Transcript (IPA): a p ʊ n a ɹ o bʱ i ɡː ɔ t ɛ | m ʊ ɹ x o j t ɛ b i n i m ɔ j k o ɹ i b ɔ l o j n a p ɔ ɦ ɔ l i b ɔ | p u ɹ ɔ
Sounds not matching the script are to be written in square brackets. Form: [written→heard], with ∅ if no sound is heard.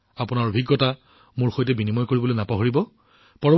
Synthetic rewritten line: a p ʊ n a ɹ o bʱ i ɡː ɔ t [ɛ→a] | m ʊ ɹ x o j t ɛ b i n i m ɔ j k o ɹ i b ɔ l o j n a p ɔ ɦ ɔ [l→ɹ] i b ɔ | p [u→ɔ] ɹ ɔ